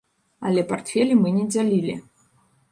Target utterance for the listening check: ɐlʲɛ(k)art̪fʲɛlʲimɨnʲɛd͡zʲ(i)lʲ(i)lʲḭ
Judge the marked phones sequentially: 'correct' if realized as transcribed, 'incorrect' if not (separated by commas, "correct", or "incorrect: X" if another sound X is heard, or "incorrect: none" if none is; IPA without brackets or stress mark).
incorrect: p, incorrect: a, correct